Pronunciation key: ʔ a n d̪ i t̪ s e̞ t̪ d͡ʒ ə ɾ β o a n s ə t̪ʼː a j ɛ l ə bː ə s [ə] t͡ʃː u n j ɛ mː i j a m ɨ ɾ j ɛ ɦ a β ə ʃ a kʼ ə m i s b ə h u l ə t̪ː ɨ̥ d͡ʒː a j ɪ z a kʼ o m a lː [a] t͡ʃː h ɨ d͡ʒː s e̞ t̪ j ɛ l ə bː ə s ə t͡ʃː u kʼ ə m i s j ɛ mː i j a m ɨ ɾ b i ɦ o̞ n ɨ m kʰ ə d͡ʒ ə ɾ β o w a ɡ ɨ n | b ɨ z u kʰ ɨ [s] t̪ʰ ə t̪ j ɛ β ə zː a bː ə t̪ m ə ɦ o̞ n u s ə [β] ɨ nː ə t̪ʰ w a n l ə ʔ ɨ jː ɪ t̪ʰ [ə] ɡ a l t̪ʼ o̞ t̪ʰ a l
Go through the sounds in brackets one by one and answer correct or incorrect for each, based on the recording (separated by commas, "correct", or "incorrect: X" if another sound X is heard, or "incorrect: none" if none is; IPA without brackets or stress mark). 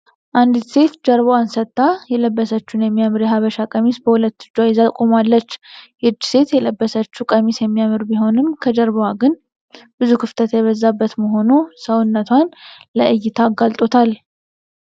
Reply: correct, incorrect: ə, incorrect: f, incorrect: w, incorrect: a